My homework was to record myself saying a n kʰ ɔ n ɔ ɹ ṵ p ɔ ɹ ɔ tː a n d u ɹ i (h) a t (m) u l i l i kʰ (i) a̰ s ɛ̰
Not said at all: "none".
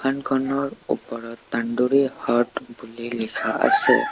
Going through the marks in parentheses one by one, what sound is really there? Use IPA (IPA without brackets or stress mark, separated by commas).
h, b, a